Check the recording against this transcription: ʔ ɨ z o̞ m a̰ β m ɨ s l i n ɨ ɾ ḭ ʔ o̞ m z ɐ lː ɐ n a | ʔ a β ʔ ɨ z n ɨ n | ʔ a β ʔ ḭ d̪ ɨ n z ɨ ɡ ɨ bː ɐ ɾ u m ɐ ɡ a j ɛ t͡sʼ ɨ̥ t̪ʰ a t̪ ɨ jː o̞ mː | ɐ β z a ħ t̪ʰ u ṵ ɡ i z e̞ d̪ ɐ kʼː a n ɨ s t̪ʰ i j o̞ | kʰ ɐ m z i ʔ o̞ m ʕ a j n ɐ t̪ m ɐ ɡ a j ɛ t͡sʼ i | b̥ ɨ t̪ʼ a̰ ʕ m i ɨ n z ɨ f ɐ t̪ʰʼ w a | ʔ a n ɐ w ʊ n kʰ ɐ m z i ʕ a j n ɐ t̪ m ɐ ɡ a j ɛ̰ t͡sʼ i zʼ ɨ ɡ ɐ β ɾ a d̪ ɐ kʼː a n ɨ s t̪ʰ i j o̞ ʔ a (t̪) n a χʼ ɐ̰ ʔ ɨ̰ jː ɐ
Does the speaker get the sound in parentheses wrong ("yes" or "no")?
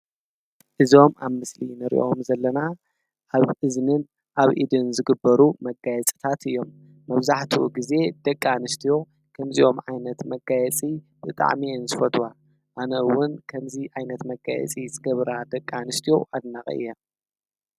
yes